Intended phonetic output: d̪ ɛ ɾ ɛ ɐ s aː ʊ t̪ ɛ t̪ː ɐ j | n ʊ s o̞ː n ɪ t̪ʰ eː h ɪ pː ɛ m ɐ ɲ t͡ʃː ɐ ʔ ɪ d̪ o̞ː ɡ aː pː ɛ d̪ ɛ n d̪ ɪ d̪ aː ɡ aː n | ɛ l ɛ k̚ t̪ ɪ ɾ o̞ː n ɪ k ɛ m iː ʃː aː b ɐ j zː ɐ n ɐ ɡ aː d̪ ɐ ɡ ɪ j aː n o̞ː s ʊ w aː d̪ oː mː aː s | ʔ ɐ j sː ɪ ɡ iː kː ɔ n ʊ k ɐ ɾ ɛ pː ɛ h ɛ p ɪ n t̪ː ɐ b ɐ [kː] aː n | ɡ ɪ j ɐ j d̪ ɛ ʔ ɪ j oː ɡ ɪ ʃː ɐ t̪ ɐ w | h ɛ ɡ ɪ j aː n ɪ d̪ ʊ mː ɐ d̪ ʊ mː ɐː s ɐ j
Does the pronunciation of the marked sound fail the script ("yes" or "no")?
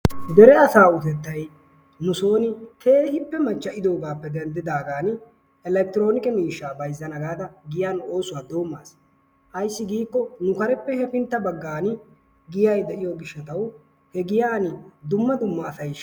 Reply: yes